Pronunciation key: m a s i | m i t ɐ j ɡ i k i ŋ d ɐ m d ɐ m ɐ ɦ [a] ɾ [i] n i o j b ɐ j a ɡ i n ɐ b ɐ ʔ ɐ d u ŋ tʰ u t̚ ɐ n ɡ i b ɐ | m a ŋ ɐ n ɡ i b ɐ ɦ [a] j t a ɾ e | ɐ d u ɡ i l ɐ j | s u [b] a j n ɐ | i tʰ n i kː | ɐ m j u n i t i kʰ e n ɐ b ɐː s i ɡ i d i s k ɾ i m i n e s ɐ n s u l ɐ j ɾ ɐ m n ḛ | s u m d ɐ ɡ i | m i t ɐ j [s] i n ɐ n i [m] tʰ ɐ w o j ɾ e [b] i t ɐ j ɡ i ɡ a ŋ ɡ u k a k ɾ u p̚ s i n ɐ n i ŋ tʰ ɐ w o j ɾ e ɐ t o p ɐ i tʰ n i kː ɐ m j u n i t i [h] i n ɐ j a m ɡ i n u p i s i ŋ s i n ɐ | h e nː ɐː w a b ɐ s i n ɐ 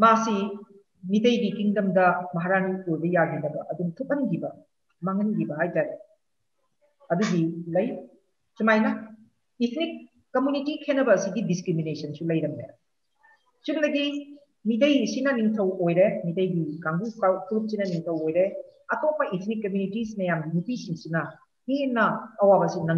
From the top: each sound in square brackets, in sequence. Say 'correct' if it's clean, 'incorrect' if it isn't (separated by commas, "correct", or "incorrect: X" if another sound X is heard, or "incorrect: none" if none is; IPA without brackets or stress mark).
correct, incorrect: a, correct, incorrect: m, correct, incorrect: ŋ, incorrect: m, incorrect: s